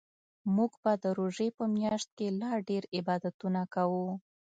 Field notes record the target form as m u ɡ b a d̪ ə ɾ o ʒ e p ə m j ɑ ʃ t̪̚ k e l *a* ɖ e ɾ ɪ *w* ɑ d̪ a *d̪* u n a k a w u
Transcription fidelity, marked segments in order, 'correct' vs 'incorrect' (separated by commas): incorrect, incorrect, incorrect